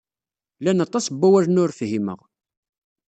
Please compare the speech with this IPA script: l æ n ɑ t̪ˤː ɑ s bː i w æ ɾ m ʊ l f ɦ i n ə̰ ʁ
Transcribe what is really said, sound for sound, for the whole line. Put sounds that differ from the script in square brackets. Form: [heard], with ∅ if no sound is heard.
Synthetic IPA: l æ n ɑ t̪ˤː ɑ s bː [æ] w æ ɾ [n] ʊ [ɾ] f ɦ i [m] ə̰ ʁ